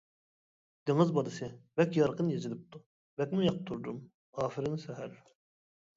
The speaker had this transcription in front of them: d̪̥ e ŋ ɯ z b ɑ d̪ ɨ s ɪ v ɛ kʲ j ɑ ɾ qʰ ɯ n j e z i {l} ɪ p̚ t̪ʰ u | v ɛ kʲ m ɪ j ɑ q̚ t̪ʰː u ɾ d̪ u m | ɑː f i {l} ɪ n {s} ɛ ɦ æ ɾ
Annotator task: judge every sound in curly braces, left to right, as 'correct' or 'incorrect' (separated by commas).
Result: correct, incorrect, correct